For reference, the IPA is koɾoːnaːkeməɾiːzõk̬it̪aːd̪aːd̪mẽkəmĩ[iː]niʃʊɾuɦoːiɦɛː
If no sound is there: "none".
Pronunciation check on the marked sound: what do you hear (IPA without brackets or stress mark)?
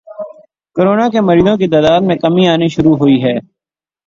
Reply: aː